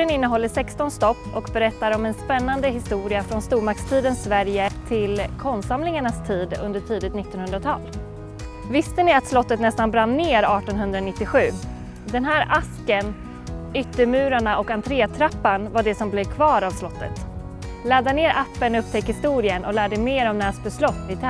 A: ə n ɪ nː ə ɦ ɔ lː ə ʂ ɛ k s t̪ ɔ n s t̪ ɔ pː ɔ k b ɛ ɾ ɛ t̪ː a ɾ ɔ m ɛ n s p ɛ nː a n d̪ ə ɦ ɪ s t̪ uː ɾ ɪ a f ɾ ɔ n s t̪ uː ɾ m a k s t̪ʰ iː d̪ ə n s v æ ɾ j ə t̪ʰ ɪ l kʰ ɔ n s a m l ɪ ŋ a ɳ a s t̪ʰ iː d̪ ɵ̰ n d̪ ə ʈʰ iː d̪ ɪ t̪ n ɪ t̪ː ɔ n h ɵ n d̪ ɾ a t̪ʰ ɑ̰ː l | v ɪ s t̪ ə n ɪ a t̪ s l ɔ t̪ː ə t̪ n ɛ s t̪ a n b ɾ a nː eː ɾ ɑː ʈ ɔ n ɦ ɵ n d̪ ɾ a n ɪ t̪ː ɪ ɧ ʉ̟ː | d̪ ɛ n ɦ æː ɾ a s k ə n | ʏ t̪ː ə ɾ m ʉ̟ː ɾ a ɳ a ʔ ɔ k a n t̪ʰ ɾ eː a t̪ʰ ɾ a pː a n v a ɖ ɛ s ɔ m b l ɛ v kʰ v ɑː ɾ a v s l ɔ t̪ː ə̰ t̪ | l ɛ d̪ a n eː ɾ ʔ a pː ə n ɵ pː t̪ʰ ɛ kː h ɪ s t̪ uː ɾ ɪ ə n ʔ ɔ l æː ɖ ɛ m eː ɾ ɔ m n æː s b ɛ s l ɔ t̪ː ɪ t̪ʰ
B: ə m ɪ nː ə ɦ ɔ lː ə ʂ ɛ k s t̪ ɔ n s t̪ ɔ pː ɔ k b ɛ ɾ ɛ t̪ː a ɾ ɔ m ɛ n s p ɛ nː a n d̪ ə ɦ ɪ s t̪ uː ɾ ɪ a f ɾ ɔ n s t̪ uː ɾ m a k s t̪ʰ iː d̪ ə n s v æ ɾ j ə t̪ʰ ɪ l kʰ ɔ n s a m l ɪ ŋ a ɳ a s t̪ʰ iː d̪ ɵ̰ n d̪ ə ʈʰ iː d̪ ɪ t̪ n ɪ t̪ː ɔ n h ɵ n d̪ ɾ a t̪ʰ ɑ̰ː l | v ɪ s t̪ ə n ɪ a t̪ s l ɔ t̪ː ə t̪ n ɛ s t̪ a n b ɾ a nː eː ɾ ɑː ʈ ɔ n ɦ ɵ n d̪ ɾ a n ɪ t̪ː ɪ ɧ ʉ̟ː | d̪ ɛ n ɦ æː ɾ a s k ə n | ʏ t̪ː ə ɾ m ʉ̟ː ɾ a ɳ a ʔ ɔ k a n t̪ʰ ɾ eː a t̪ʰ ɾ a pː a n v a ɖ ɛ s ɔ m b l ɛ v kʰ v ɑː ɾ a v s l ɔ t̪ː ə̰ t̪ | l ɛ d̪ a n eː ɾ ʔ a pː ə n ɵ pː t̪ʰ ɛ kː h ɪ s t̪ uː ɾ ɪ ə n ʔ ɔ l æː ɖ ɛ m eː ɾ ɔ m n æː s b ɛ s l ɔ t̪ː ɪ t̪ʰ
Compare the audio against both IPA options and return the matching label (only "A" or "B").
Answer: A